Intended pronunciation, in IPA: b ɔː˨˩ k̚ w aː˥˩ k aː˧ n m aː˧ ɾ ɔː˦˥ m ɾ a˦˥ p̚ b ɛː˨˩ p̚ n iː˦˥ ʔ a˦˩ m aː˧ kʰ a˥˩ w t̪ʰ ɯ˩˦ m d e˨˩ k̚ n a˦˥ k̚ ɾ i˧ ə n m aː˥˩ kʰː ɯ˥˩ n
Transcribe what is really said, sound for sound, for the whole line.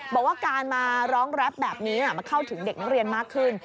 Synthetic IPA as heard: b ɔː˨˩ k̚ w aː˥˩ k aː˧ n m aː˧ ɾ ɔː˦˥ ŋ ɾ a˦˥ p̚ b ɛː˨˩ p̚ n iː˦˥ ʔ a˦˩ m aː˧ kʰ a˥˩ w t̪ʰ ɯ˩˦ ŋ d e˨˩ k̚ n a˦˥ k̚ ɾ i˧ ə n m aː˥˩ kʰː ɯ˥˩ n